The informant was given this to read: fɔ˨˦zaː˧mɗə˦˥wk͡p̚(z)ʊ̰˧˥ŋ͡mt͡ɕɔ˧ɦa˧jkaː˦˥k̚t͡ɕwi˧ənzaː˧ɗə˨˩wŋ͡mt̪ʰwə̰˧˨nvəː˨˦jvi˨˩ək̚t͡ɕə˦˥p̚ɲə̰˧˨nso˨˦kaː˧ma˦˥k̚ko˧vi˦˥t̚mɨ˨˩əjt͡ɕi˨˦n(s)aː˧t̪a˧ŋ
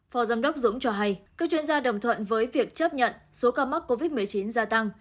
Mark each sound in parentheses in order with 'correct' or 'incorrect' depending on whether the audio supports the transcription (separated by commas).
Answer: correct, incorrect